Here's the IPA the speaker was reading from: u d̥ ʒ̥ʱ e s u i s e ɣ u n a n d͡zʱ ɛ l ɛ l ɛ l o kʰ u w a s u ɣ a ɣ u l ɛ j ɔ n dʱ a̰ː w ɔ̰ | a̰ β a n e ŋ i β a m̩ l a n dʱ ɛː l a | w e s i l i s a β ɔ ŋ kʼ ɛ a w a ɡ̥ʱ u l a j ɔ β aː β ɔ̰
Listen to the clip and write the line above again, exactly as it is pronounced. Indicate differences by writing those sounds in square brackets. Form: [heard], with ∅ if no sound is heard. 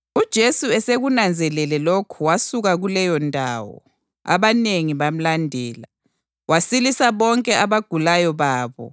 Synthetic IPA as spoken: u d̥ ʒ̥ʱ e s u [ɛ] s e ɣ u n a n d͡zʱ ɛ l ɛ l ɛ l o kʰ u w a s u ɣ a ɣ u l ɛ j ɔ n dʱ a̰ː w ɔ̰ | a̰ β a n e ŋ i β a m̩ l a n dʱ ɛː l a | w [a] s i l i s a β ɔ ŋ kʼ ɛ a [β] a ɡ̥ʱ u l a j ɔ β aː β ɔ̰